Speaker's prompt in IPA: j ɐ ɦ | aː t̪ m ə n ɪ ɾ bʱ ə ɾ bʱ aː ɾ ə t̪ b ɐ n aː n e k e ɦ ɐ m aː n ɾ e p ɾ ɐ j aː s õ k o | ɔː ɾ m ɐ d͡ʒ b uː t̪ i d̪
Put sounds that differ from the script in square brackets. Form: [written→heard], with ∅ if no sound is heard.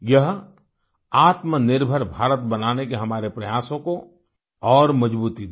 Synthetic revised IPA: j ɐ ɦ | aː t̪ m ə n ɪ ɾ bʱ ə ɾ bʱ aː ɾ ə t̪ b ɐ n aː n e k e ɦ ɐ m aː [n→∅] ɾ e p ɾ ɐ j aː s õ k o | ɔː ɾ m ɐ d͡ʒ b uː t̪ i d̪